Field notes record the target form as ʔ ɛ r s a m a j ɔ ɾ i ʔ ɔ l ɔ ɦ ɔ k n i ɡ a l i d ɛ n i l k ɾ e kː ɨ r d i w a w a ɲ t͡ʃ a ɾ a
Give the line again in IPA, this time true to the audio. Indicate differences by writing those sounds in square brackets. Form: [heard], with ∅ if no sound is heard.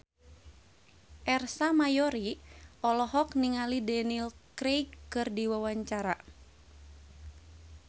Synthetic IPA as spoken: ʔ ɛ r s a m a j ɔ ɾ i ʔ ɔ l ɔ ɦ ɔ k n i [ŋ] a l i d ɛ n i l k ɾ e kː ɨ r d i w a w a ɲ t͡ʃ a ɾ a